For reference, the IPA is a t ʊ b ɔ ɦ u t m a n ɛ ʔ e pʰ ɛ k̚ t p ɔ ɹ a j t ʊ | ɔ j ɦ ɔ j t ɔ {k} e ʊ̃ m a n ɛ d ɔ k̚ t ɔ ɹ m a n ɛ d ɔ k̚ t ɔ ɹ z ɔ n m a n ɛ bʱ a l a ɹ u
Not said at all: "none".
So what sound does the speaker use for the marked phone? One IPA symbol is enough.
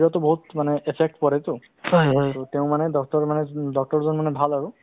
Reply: t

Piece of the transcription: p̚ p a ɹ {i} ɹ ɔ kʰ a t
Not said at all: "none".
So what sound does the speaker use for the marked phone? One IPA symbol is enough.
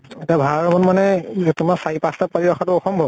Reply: i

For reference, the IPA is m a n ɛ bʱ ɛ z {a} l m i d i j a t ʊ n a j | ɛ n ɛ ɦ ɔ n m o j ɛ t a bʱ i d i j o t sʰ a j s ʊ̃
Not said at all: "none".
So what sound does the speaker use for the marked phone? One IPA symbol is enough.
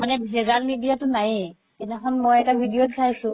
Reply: a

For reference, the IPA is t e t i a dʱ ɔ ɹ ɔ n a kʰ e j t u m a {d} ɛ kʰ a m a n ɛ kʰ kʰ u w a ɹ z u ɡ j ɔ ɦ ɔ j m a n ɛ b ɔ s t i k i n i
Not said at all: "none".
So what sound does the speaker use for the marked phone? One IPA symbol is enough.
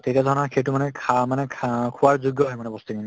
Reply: n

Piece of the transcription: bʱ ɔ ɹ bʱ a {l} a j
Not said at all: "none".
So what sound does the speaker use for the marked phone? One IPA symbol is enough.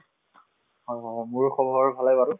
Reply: l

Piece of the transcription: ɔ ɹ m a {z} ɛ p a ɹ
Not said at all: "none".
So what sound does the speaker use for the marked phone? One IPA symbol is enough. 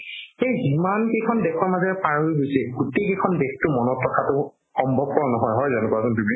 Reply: z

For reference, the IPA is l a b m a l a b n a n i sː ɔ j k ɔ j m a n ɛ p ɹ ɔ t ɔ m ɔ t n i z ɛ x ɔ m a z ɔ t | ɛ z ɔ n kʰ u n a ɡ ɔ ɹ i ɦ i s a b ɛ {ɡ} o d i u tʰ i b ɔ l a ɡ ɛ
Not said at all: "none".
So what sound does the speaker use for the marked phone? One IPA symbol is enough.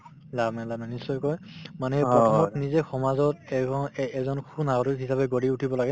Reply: ɡ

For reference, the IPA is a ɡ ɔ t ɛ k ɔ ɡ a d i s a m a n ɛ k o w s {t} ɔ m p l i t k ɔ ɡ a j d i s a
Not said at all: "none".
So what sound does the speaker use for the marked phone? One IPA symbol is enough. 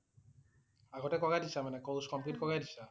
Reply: k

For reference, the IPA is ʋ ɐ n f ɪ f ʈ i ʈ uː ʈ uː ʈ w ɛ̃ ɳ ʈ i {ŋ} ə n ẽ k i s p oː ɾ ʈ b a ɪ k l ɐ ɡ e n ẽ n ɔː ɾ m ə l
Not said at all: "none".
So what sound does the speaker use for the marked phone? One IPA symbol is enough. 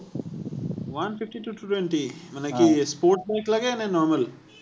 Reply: m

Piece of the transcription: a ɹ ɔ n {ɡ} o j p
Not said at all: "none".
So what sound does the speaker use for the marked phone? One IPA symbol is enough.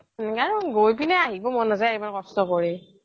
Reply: ɡ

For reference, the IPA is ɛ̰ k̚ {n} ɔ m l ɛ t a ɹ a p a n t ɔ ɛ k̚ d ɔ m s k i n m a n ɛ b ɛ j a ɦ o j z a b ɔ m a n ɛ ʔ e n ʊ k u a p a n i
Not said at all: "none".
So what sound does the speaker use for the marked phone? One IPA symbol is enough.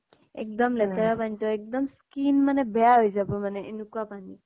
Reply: d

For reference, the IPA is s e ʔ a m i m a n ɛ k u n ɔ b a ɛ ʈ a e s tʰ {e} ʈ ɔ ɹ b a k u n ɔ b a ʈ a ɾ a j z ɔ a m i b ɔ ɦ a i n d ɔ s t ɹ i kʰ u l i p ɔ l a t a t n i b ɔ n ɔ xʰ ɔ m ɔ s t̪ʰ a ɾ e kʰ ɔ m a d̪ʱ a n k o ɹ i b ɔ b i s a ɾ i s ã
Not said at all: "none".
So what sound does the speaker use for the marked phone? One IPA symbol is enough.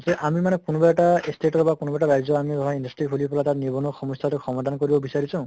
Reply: e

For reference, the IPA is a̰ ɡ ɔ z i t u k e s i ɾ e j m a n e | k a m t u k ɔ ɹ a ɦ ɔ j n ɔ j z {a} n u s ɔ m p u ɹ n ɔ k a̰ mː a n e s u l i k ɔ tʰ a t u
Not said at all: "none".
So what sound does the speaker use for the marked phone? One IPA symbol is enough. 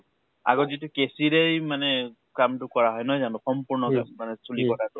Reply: a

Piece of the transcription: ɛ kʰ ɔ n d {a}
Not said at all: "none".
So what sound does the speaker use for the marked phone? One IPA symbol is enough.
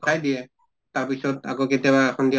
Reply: i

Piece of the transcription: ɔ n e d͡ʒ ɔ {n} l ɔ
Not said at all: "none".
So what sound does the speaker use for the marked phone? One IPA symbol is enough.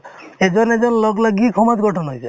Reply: n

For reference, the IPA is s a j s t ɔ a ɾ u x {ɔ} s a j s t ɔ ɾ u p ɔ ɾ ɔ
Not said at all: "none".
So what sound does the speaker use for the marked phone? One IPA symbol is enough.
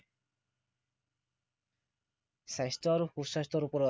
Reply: u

